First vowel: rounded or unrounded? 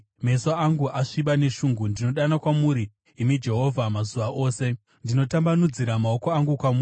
unrounded